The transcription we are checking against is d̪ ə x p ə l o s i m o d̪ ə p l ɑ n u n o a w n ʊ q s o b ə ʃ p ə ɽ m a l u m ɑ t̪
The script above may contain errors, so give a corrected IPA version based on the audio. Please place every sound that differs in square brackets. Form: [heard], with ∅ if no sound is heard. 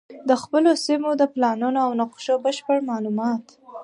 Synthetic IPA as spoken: d̪ ə x p ə l o s i m o d̪ ə p l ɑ n u n o a w n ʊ q [ʃ] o b ə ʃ p ə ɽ m [ɑ] l u m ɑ t̪